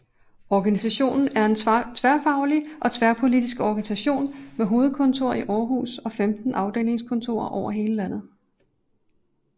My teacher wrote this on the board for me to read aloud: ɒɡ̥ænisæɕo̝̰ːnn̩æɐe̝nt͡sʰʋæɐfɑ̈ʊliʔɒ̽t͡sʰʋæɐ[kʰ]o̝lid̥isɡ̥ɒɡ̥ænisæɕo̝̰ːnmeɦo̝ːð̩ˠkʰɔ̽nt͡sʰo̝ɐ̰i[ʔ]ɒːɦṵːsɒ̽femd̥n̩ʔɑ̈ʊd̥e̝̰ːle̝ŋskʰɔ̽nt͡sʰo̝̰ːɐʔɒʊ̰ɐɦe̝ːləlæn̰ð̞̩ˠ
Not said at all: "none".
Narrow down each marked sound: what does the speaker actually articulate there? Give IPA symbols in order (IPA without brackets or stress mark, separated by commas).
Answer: pʰ, ʔ